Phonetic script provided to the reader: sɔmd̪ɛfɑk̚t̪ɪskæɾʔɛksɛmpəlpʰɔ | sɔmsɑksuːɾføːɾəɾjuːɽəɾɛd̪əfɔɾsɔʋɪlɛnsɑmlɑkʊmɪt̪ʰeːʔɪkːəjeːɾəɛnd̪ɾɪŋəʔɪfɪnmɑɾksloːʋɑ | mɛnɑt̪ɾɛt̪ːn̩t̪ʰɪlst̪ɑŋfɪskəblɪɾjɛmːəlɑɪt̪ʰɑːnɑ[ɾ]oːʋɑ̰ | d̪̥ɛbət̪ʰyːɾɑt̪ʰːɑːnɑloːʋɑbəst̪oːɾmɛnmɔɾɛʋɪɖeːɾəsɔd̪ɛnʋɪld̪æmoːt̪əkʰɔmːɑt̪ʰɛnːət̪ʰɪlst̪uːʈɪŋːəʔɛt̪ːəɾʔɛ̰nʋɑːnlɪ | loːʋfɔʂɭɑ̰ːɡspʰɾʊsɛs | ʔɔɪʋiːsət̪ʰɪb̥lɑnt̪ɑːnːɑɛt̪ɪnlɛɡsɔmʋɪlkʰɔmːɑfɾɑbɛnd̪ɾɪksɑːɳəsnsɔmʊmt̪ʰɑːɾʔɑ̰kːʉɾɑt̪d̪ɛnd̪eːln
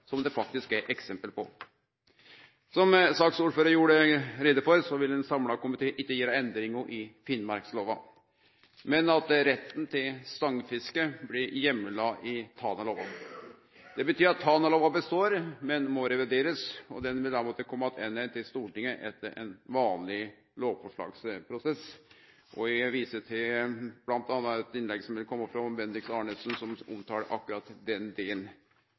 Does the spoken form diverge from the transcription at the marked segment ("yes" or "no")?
yes